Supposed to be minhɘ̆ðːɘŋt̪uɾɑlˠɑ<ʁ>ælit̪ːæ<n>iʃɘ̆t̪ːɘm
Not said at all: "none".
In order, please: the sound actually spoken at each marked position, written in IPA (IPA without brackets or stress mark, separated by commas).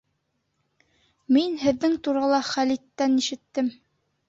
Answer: χ, n